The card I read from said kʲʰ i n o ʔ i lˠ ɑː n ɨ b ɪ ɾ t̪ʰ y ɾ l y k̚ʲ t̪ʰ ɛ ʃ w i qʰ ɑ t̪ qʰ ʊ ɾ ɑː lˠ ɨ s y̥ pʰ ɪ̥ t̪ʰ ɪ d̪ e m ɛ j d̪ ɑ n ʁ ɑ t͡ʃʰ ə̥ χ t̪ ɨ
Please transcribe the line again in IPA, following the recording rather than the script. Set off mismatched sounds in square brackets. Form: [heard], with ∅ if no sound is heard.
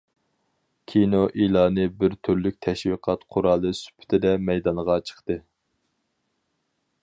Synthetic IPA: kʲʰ i n o ʔ i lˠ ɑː n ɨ b ɪ ɾ t̪ʰ y ɾ l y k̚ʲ t̪ʰ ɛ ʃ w i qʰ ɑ t̪ qʰ ʊ ɾ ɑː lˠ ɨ s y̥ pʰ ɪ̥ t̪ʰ ɪ d̪ [ɛ] m ɛ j d̪ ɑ n ʁ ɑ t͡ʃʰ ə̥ χ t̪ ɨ

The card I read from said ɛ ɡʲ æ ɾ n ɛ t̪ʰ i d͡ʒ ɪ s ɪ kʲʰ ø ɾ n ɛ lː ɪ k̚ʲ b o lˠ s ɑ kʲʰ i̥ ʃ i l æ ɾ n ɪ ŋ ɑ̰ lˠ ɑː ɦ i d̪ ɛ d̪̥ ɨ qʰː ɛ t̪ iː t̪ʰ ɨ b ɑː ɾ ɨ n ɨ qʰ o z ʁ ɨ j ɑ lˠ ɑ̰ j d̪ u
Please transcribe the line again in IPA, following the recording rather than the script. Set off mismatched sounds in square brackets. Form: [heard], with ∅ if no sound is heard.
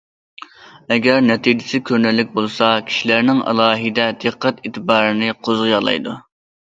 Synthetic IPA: ɛ ɡʲ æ ɾ n ɛ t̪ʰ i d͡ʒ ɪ s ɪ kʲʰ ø ɾ n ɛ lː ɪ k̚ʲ b o lˠ s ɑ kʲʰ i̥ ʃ i l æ ɾ n ɪ ŋ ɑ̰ lˠ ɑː ɦ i d̪ ɛ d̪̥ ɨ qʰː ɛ t̪ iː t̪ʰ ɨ b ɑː ɾ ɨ n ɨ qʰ o z ʁ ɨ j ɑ lˠ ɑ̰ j d̪ u

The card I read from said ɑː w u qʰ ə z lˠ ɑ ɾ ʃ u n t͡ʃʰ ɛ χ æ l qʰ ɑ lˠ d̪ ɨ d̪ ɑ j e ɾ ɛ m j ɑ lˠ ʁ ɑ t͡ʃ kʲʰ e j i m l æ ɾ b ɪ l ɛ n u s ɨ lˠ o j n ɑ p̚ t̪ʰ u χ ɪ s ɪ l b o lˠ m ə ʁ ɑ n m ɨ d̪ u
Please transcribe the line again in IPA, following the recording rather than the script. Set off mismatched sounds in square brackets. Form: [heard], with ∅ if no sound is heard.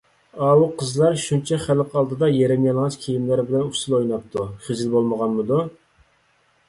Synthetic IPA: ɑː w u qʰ ə z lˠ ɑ ɾ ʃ u n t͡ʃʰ ɛ χ æ l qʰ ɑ lˠ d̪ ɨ d̪ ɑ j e ɾ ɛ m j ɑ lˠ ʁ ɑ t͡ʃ kʲʰ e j i m l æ ɾ b ɪ l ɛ n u s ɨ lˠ o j n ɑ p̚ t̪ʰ u χ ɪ [z] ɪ l b o lˠ m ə ʁ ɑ n m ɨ d̪ u

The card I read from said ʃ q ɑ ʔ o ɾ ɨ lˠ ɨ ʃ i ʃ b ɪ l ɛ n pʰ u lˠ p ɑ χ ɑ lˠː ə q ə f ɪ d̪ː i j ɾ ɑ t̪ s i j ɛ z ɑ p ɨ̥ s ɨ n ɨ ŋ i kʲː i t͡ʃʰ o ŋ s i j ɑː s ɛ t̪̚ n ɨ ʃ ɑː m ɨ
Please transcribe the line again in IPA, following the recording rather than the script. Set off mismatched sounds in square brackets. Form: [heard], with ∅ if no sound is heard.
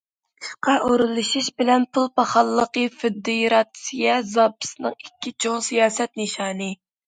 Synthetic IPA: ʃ q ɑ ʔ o ɾ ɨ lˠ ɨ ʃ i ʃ b ɪ l ɛ n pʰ u lˠ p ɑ χ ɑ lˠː ə q ə f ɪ d̪ː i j ɾ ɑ t̪ s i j ɛ z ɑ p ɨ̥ s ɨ n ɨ ŋ i kʲː i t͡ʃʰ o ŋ s i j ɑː s ɛ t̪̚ n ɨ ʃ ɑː [n] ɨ

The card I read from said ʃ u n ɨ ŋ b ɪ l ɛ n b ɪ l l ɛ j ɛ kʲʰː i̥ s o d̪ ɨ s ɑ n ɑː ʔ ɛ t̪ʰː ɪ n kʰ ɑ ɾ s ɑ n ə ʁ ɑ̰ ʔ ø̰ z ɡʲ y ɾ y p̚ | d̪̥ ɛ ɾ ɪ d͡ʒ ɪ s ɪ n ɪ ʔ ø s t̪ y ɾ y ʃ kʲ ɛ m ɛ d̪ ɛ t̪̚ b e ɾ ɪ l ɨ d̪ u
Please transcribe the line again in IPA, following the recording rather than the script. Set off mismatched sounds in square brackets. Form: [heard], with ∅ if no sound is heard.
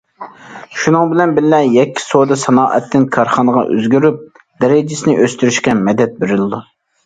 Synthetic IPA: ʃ u n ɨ ŋ b ɪ l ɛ n b ɪ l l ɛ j ɛ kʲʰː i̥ s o d̪ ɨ s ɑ n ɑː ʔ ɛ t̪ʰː ɪ n kʰ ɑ ɾ [χ] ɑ n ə ʁ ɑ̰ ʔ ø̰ z ɡʲ y ɾ y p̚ | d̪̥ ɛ ɾ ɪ d͡ʒ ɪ s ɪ n ɪ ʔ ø s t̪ y ɾ y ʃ kʲ ɛ m ɛ d̪ ɛ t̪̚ b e ɾ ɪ l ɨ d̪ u

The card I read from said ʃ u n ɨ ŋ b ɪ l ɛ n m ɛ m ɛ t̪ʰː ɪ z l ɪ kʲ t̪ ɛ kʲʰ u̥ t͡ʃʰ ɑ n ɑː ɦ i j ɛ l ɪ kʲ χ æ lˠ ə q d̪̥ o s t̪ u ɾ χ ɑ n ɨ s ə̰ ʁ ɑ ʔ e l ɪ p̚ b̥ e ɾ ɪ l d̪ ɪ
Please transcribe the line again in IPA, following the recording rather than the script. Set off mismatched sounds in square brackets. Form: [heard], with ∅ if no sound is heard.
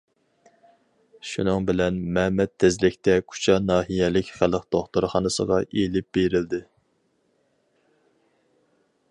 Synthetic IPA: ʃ u n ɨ ŋ b ɪ l ɛ n m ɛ m ɛ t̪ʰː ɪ z l ɪ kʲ t̪ ɛ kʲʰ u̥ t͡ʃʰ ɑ n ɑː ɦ i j ɛ l ɪ kʲ χ æ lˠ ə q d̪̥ o [χ] t̪ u ɾ χ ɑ n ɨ s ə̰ ʁ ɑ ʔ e l ɪ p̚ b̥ e ɾ ɪ l d̪ ɪ

